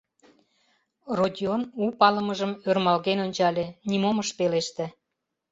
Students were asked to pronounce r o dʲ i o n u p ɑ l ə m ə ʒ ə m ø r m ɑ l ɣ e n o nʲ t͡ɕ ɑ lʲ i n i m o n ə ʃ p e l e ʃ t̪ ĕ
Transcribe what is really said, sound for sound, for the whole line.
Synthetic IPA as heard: r o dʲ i o n u p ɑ l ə m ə ʒ ə m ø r m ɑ l ɣ e n o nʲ t͡ɕ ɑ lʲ e n i m o m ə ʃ p e l e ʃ t̪ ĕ